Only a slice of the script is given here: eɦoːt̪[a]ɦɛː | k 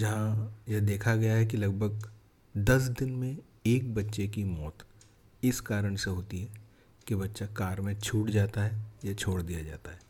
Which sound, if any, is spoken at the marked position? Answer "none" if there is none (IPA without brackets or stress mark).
i